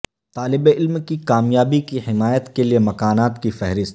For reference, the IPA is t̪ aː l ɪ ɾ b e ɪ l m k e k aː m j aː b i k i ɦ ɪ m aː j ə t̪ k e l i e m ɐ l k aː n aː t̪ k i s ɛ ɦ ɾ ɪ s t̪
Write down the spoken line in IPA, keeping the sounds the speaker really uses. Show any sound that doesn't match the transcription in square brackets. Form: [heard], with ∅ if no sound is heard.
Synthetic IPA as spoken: t̪ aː l ɪ [∅] b e ɪ l m k [i] k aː m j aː b i k i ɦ ɪ m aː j ə t̪ k e l i e m ɐ [∅] k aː n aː t̪ k i [f] ɛ ɦ ɾ ɪ s t̪